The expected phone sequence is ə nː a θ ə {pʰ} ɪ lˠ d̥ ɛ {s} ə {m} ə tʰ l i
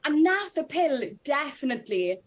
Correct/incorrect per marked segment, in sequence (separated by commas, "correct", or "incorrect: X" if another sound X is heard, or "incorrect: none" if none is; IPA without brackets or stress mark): correct, incorrect: f, incorrect: n